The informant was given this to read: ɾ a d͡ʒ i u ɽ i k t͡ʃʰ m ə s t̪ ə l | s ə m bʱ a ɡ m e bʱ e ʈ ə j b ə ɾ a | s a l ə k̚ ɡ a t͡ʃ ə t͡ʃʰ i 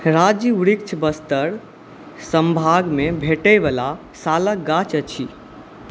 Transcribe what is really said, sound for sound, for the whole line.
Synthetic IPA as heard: ɾ a d͡ʒ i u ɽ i k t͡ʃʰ b ə s t̪ ə ɾ | s ə m bʱ a ɡ m e bʱ e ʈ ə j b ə l a | s a l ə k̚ ɡ a t͡ʃ ə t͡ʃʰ i